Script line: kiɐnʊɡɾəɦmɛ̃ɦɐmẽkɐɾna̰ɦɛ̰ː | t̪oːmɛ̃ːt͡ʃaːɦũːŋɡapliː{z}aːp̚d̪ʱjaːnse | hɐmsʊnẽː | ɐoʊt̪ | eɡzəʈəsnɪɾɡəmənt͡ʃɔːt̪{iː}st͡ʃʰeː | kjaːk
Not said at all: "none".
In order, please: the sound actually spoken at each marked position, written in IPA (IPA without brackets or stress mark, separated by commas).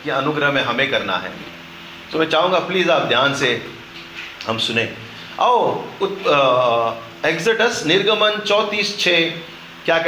z, iː